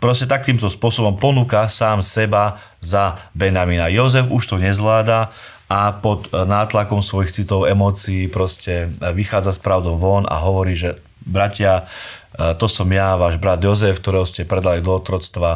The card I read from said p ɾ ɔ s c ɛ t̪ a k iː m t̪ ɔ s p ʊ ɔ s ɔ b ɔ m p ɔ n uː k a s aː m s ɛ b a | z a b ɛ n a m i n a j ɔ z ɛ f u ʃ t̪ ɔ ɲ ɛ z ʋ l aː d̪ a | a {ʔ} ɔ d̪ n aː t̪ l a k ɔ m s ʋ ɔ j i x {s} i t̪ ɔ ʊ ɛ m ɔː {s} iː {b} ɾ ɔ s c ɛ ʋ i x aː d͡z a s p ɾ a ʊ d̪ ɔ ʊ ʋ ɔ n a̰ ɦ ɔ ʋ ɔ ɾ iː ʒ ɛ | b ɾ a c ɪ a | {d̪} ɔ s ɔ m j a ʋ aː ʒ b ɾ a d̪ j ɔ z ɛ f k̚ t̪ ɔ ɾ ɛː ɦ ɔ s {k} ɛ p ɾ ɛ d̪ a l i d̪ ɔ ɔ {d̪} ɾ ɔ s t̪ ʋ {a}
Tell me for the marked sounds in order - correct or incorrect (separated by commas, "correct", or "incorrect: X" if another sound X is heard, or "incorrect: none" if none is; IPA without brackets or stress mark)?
incorrect: p, incorrect: t͡s, incorrect: t͡s, incorrect: p, incorrect: t̪, incorrect: c, incorrect: t̪, correct